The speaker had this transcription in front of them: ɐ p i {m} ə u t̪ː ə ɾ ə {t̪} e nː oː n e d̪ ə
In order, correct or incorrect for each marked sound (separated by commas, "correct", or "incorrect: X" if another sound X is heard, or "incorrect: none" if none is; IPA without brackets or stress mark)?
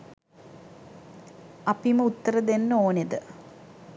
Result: correct, incorrect: d̪